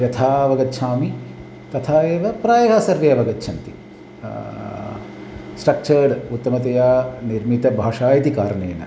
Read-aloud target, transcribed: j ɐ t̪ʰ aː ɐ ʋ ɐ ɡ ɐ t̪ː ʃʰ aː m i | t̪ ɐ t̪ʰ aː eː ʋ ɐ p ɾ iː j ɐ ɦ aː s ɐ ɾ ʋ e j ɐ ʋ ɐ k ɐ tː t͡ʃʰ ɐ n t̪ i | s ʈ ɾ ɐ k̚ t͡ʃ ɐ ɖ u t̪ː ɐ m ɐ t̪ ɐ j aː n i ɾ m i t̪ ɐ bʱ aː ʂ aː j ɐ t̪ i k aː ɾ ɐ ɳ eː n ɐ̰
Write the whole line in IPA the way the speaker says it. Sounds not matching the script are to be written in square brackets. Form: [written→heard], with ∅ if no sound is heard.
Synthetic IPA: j ɐ t̪ʰ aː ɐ ʋ ɐ ɡ ɐ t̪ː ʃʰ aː m i | t̪ ɐ t̪ʰ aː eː ʋ ɐ p ɾ [iː→aː] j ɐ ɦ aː s ɐ ɾ ʋ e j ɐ ʋ ɐ [k→ɡ] ɐ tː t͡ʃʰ ɐ n t̪ i | s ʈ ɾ ɐ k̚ t͡ʃ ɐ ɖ u t̪ː ɐ m ɐ t̪ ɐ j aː n i ɾ m i t̪ ɐ bʱ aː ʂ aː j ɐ t̪ i k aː ɾ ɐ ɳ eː n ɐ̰